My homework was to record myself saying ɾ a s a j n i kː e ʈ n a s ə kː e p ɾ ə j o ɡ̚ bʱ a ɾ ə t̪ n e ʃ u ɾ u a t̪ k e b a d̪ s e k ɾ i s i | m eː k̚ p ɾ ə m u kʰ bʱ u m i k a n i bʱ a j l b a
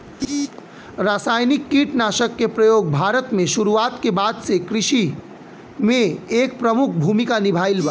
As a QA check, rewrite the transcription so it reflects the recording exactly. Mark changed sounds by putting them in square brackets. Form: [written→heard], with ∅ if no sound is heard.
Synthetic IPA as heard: ɾ a s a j n i kː [e→i] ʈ n a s ə kː e p ɾ ə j o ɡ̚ bʱ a ɾ ə t̪ [n→m] e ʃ u ɾ u a t̪ k e b a d̪ s e k ɾ i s i | m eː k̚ p ɾ ə m u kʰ bʱ u m i k a n i bʱ a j l b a